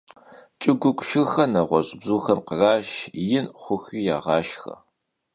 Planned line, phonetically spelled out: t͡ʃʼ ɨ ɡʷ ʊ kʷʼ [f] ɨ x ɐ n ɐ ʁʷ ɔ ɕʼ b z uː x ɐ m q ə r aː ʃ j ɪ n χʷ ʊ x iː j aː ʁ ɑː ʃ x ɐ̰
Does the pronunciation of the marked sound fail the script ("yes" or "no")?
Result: yes